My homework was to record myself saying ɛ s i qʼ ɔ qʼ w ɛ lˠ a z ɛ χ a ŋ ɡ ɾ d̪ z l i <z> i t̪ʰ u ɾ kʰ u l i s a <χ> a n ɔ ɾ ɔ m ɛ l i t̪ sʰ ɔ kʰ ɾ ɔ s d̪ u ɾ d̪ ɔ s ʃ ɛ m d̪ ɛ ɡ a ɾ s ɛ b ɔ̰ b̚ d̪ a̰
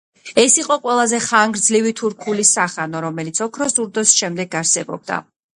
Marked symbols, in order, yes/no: no, yes

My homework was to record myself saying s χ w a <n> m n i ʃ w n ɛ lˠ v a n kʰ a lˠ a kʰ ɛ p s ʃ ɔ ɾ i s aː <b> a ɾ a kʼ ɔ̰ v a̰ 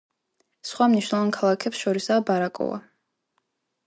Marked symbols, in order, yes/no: no, yes

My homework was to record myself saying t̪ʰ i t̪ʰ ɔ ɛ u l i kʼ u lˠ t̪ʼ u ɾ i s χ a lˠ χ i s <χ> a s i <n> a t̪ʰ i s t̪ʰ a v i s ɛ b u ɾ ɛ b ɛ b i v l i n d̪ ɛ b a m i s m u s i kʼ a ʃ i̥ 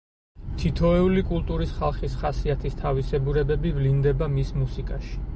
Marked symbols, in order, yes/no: yes, no

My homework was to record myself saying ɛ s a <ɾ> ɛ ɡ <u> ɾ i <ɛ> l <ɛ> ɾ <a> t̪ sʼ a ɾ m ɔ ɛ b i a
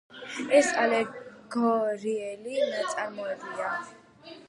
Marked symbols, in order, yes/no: no, no, yes, no, yes

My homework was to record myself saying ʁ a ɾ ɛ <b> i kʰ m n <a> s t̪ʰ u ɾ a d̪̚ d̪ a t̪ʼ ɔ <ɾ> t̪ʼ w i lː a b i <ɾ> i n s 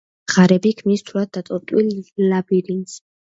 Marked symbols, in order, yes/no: yes, no, yes, yes

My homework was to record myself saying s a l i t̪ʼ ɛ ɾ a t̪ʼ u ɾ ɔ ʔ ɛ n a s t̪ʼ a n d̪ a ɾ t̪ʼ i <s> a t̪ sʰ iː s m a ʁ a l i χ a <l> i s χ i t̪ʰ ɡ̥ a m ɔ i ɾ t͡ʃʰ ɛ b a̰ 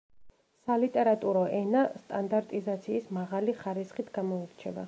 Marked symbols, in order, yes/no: no, no

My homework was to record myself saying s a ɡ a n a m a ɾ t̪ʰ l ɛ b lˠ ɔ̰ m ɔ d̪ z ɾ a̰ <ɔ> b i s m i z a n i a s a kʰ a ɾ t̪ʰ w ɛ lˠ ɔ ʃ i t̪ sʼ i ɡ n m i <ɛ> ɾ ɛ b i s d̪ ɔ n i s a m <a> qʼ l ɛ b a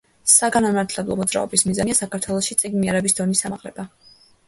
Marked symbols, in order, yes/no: yes, yes, yes

